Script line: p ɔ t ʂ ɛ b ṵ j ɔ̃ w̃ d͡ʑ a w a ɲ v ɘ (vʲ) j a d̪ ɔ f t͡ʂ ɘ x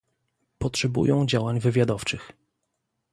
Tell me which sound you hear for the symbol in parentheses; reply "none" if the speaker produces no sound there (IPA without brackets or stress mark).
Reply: vʲ